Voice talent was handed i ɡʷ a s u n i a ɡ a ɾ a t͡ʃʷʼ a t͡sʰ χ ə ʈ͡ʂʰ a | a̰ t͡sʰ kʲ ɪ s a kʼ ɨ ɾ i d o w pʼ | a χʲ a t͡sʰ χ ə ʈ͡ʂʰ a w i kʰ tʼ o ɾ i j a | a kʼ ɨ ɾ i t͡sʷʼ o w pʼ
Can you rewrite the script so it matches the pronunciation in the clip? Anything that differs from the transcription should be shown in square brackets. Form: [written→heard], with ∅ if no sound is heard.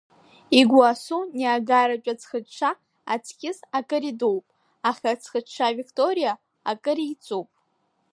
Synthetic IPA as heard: i ɡʷ a s u n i a ɡ a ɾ a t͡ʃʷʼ a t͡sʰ χ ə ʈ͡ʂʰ a | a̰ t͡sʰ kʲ ɪ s a kʼ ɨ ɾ i d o w pʼ | a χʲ a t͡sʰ χ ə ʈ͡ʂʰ a [w→v] i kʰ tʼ o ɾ i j a | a kʼ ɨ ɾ i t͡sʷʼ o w pʼ